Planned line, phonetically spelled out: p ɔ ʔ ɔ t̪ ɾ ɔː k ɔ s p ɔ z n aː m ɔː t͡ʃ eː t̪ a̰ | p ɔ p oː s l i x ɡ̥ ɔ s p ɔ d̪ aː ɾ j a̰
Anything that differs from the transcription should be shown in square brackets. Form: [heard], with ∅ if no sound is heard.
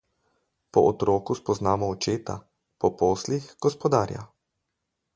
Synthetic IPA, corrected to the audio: p ɔ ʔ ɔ t̪ ɾ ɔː k [u] s p ɔ z n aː m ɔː t͡ʃ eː t̪ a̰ | p ɔ p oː s l i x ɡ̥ ɔ s p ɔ d̪ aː ɾ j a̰